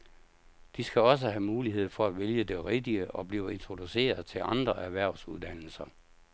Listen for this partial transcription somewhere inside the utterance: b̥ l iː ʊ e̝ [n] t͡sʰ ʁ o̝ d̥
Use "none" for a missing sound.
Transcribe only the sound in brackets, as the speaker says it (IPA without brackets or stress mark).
n